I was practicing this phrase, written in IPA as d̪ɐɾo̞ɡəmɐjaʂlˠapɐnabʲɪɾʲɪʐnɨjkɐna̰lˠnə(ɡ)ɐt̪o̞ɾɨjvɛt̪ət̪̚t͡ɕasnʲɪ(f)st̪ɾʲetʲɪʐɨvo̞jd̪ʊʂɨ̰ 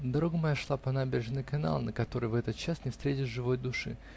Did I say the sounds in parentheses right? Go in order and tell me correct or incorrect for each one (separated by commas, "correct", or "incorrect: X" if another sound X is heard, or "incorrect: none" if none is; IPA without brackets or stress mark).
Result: incorrect: k, correct